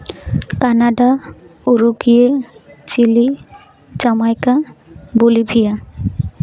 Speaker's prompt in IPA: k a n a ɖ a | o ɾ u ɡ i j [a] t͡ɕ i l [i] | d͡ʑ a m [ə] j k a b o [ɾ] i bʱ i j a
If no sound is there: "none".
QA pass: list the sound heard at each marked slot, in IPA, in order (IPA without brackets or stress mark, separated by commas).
e, i, a, l